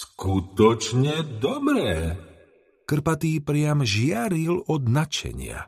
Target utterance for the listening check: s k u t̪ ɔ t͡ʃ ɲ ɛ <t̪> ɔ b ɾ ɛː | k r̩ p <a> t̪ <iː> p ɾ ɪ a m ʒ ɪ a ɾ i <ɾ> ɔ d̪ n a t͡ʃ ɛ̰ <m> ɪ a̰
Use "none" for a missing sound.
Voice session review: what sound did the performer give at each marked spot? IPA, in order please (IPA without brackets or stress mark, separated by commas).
d̪, a, iː, l, ɲ